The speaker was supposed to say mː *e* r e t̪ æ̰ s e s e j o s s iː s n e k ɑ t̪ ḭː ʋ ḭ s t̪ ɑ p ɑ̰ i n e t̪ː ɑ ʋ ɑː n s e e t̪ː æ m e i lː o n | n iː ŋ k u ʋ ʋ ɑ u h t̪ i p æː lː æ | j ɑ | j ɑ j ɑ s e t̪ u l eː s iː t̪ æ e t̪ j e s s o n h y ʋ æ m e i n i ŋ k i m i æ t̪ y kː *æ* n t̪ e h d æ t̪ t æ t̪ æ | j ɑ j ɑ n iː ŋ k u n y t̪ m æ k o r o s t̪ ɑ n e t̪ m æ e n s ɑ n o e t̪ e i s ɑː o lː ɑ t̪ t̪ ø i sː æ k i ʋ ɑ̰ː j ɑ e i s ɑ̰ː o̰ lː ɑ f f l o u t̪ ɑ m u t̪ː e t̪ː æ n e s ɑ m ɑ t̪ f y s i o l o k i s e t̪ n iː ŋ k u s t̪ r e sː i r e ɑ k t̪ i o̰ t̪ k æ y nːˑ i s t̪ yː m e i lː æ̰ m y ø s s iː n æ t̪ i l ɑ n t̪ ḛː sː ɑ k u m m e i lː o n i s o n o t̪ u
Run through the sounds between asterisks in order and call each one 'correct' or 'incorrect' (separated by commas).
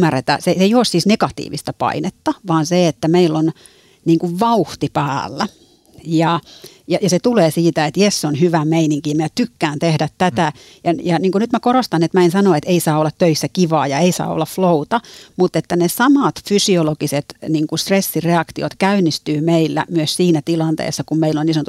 incorrect, incorrect